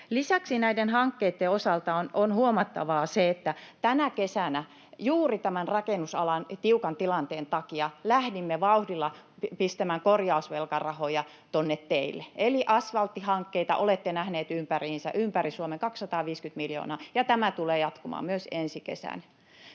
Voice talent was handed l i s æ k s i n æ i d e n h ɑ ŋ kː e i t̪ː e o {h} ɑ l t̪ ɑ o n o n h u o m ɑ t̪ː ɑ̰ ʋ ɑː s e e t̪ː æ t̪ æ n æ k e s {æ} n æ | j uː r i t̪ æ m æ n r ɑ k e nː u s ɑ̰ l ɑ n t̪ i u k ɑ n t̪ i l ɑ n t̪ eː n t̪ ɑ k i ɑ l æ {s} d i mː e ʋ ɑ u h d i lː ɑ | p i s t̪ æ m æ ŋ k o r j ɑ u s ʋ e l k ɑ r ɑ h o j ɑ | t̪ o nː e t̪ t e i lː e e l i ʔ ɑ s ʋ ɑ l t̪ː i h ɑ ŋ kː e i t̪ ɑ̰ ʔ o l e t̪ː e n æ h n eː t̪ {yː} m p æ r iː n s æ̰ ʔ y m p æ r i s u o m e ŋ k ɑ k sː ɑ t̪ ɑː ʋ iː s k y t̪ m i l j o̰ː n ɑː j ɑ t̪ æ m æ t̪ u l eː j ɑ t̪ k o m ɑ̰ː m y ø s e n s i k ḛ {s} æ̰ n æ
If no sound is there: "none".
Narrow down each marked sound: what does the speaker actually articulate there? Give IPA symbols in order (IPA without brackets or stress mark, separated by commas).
s, æ, h, y, s